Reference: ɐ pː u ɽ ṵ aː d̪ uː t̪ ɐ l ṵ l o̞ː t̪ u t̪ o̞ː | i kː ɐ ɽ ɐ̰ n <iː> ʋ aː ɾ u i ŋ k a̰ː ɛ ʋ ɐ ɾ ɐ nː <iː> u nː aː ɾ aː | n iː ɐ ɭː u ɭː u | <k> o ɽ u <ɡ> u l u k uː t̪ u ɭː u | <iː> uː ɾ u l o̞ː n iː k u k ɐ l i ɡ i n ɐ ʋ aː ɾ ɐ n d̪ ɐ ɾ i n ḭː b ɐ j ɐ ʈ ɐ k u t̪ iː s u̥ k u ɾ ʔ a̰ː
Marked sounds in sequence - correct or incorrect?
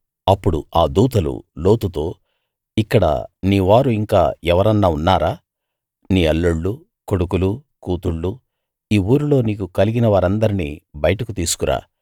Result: correct, incorrect: aː, correct, incorrect: k, correct

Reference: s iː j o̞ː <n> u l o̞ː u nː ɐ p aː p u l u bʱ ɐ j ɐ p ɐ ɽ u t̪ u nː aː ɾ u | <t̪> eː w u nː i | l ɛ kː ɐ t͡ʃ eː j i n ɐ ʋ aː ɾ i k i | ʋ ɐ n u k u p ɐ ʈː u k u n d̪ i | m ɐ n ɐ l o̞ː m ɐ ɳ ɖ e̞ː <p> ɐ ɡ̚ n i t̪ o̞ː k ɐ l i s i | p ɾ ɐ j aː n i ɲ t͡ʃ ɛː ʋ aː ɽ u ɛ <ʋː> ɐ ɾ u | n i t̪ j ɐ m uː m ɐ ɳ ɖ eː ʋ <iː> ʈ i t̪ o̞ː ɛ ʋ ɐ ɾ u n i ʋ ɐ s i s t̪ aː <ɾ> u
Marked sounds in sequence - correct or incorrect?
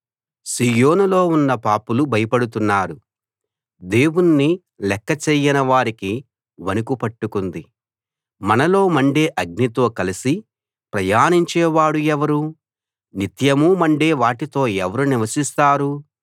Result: correct, incorrect: d̪, incorrect: ʔ, incorrect: ʋ, incorrect: aː, correct

